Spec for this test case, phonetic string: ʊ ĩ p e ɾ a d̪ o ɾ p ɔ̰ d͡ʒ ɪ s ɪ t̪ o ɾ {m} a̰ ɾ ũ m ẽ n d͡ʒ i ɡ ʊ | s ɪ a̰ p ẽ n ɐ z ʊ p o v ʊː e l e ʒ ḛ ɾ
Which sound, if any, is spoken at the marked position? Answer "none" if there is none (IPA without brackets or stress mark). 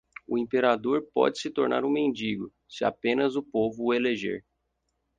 n